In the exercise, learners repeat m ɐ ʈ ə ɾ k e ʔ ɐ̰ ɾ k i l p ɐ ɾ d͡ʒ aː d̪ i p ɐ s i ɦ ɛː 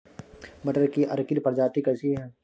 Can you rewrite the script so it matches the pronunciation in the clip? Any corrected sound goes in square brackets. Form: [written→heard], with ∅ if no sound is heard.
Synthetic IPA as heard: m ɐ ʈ ə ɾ k [e→i] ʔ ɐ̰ ɾ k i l p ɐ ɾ d͡ʒ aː [d̪→t̪] i [p→k] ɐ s i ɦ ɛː

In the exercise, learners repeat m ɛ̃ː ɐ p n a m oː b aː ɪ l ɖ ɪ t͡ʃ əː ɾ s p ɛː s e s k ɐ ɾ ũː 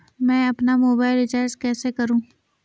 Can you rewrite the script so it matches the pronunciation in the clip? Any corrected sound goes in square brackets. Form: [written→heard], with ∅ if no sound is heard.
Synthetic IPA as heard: m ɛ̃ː ɐ p n a m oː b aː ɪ l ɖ ɪ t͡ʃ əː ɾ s [p→k] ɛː s e [s→∅] k ɐ ɾ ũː

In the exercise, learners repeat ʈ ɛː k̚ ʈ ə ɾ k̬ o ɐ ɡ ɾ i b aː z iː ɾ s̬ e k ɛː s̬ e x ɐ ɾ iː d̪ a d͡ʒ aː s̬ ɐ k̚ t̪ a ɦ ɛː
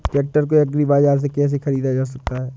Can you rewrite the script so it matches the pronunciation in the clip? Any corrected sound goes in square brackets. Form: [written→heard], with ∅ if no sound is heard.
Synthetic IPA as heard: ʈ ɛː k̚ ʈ ə ɾ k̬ o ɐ ɡ ɾ i b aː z [iː→aː] ɾ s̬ e k ɛː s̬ e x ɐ ɾ iː d̪ a d͡ʒ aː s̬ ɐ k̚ t̪ a ɦ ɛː

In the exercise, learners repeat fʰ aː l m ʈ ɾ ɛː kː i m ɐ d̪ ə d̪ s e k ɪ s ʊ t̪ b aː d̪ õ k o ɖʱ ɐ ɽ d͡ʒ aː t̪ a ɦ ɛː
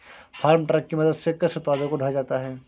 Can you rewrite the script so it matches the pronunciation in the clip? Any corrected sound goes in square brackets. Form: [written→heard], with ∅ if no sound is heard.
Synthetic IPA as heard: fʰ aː [l→ɾ] m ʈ ɾ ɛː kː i m ɐ d̪ ə d̪ s e k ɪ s ʊ t̪ [b→p] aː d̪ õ k o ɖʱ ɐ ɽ d͡ʒ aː t̪ a ɦ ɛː

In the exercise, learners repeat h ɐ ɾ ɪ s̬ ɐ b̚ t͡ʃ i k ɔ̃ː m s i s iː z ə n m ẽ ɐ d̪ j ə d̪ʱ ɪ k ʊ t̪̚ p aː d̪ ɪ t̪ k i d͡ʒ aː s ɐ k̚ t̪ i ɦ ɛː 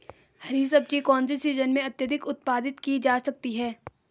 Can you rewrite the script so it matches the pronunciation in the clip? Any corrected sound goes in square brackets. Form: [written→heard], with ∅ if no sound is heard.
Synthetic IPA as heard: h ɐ ɾ [ɪ→i] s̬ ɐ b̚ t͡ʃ i k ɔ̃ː [m→n] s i s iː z ə n m ẽ ɐ [d̪→t̪] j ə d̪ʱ ɪ k ʊ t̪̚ p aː d̪ ɪ t̪ k i d͡ʒ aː s ɐ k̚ t̪ i ɦ ɛː

